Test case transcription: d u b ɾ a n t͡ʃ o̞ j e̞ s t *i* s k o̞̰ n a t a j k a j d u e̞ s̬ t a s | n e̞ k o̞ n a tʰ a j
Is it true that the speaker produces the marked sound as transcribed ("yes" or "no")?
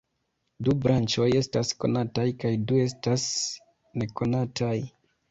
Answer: no